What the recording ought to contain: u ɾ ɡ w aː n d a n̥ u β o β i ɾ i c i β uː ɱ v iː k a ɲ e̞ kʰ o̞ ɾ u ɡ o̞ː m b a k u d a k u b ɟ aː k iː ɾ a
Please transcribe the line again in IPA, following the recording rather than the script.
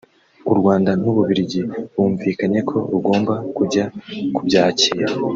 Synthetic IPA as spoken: u ɾ ɡ w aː n d a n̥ u β u β i ɾ i ɟ i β uː ɱ v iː k a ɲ e̞ kʰ o̞ ɾ u ɡ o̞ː m b a k u ɟ a k u b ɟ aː c iː ɾ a